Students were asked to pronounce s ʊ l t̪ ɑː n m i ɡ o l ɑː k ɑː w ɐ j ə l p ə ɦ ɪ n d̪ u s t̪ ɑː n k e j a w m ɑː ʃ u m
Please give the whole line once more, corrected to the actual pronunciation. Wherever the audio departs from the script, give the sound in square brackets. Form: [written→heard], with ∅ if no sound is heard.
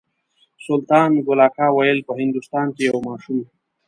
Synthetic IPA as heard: s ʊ l t̪ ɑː n m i ɡ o l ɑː k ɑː w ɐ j ə l p ə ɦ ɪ n d̪ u s t̪ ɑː n k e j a w m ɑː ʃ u m

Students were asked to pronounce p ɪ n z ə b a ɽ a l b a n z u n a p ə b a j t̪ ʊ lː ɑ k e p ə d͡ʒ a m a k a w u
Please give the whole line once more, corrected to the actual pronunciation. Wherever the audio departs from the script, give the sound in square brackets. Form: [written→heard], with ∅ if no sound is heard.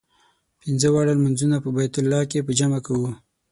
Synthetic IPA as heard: p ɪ n z ə [b→w] a ɽ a l [b→m] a n z u n a p ə b a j t̪ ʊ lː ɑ k e p ə d͡ʒ a m a k a w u

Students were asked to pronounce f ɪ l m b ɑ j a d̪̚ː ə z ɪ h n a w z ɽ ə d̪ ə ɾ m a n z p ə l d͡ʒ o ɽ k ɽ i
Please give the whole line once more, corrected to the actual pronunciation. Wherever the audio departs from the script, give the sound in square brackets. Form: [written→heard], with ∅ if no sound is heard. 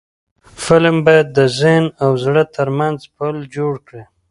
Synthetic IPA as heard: f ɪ l m b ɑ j a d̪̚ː ə z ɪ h n a w z ɽ ə [d̪→t̪] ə ɾ m a n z p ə l d͡ʒ o ɽ k ɽ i

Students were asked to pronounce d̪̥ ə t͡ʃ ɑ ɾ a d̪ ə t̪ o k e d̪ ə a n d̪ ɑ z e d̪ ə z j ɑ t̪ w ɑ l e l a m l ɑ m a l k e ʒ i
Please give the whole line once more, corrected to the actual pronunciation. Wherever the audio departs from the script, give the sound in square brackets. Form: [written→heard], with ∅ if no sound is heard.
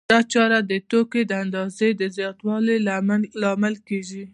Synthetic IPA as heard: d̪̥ [ə→ɑ] t͡ʃ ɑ ɾ a d̪ ə t̪ o k e d̪ ə a n d̪ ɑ z e d̪ ə z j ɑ t̪ w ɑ l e l a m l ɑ m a l k e ʒ i

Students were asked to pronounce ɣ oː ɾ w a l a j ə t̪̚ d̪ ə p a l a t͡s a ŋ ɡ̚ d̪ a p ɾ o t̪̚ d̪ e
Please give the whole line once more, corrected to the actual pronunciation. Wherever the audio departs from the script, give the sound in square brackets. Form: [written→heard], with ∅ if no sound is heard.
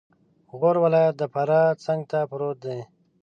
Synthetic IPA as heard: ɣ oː ɾ w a l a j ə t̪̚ d̪ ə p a [l→ɾ] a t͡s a ŋ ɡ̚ [d̪→t̪] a p ɾ o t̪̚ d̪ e

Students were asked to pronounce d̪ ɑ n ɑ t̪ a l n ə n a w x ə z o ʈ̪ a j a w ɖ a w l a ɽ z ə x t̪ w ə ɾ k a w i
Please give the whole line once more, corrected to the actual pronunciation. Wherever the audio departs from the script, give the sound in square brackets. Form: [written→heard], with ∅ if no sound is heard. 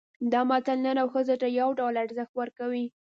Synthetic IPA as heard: d̪ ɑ [n→m] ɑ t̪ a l n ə n a w x ə z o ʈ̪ a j a w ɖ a w l a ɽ z ə x t̪ w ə ɾ k a w i

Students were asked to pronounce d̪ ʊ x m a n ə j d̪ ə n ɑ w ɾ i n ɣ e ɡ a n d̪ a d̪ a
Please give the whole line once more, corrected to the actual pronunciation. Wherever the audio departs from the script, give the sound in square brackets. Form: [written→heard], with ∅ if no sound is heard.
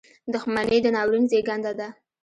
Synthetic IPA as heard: d̪ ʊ x m a n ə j d̪ ə n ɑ w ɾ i n [ɣ→z] e ɡ a n d̪ a d̪ a

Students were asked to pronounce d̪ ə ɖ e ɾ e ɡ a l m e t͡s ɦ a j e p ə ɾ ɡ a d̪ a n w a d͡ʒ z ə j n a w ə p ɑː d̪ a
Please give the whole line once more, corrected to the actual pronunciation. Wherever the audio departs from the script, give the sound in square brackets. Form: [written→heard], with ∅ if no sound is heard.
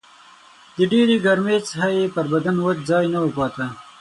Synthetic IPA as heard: d̪ ə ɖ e ɾ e ɡ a [l→ɾ] m e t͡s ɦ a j e p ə ɾ [ɡ→b] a d̪ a n w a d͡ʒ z [ə→ɑ] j n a w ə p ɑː [d̪→t̪] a

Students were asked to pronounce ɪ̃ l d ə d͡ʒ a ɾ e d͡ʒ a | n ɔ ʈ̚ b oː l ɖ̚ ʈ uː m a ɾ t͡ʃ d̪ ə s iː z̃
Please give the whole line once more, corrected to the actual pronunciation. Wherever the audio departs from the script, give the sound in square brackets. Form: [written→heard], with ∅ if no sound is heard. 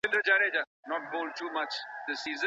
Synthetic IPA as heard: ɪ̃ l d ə d͡ʒ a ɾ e d͡ʒ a | n ɔ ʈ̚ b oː l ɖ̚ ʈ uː m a [ɾ→∅] t͡ʃ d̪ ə s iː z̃

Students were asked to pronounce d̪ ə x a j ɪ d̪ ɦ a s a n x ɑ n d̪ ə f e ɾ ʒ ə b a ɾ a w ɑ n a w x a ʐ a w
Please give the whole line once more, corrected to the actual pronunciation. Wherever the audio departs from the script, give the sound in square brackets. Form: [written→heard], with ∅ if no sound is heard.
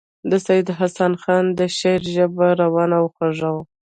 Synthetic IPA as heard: d̪ ə [x→s] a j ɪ d̪ ɦ a s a n x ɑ n d̪ ə [f→ʃ] e ɾ ʒ ə b a ɾ a w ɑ n a w x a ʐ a w

